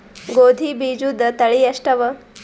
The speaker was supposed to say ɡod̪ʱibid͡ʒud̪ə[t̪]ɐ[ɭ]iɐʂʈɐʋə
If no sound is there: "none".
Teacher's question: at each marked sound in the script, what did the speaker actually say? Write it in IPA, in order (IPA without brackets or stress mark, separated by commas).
t̪, ɭ